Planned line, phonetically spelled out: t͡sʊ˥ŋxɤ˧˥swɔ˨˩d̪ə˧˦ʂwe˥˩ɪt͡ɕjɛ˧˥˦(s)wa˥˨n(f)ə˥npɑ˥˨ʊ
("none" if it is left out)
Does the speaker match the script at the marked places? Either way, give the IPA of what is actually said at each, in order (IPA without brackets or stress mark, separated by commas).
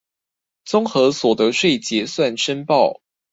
s, ʂ